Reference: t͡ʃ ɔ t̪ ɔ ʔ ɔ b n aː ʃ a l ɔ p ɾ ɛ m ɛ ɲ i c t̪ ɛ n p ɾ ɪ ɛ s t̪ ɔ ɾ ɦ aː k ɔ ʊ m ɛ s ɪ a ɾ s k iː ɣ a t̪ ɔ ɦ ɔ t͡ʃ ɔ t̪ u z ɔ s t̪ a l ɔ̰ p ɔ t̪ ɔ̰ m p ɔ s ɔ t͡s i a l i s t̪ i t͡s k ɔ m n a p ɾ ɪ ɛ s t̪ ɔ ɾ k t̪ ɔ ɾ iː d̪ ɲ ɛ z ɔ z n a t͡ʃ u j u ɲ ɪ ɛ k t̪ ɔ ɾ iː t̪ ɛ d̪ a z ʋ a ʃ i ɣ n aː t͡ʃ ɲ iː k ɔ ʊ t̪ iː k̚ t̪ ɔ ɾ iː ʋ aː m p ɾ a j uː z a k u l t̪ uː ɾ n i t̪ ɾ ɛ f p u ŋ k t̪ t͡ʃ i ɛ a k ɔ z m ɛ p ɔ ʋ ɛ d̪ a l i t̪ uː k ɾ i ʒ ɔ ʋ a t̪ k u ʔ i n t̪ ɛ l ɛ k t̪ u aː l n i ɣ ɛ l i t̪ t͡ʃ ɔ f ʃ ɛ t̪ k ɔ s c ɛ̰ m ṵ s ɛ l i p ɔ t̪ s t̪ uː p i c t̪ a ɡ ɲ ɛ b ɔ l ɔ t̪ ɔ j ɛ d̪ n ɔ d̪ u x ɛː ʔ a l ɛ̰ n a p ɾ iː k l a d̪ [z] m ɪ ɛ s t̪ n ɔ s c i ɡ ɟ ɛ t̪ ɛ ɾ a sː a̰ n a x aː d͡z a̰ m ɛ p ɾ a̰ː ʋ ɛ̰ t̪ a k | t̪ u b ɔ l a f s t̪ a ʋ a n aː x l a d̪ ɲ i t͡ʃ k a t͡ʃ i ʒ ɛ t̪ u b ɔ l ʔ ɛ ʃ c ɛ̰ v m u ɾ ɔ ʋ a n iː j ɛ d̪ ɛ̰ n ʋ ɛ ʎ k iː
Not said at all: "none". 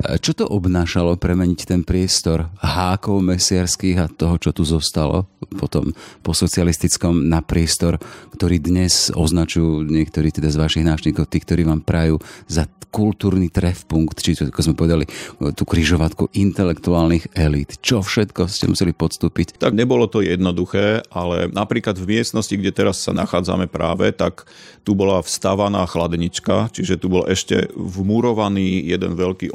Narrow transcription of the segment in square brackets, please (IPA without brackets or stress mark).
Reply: v